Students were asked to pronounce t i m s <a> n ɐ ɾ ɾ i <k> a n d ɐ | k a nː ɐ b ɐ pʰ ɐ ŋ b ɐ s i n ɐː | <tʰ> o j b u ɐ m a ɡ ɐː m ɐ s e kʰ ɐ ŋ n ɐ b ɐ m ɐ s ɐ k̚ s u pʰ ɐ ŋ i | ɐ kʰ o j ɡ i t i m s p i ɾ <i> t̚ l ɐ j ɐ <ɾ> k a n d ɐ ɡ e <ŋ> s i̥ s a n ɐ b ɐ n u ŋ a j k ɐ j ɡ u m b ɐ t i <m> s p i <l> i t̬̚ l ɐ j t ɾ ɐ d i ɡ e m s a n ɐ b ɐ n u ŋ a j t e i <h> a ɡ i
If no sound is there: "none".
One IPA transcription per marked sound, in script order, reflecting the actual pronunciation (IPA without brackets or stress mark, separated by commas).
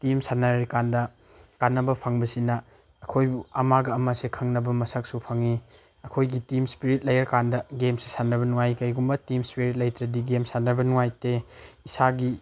a, k, kʰ, i, ɾ, m, m, ɾ, s